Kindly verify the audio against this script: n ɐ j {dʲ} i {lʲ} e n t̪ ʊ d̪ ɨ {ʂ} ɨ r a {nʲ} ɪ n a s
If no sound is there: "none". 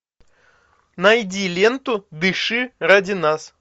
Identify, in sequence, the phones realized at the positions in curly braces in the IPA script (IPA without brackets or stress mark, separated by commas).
dʲ, lʲ, ʂ, dʲ